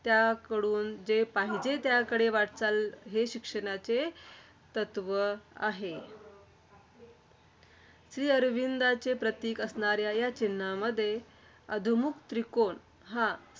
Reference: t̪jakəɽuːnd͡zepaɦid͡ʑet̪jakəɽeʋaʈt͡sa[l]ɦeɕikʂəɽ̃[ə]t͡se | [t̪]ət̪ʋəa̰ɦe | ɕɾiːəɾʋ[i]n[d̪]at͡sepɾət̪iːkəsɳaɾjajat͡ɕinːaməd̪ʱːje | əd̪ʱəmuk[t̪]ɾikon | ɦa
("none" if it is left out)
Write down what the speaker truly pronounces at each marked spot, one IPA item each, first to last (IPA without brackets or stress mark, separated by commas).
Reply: l, a, t̪, i, d̪, t̪